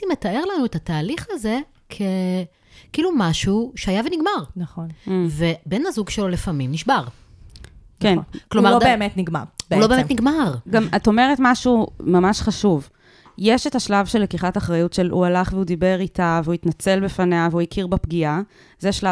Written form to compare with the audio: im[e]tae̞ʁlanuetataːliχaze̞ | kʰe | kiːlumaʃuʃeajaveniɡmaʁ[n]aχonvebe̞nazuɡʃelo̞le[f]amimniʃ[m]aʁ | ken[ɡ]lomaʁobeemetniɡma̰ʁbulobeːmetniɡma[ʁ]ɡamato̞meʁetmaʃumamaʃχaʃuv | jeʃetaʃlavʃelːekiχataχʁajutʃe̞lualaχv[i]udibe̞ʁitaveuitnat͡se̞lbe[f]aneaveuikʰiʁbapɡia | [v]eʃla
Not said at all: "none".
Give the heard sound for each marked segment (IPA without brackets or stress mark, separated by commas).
e, n, f, b, k, ʁ, e, f, z